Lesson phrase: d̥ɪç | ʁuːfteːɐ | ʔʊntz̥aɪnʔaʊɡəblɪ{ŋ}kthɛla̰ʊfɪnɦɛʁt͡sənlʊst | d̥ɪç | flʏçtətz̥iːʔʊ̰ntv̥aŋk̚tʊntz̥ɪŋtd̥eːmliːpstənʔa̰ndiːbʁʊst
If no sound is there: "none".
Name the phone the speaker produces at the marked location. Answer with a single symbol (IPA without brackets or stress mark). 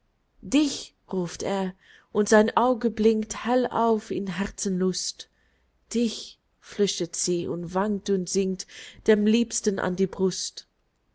ŋ